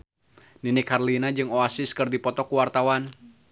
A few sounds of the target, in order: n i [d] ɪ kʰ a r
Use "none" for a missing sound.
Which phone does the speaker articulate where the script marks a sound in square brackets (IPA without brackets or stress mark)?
n